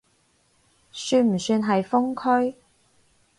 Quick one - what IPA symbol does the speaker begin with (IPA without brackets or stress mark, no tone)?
s